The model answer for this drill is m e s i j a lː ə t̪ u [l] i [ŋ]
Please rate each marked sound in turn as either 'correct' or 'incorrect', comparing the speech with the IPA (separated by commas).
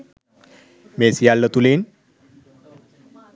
correct, incorrect